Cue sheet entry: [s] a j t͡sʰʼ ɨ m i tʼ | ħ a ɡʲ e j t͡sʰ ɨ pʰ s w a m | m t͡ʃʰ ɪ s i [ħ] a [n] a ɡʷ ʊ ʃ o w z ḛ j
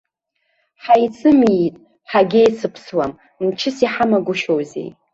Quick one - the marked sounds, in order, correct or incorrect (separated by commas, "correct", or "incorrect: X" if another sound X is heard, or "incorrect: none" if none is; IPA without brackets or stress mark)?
incorrect: ħ, correct, incorrect: m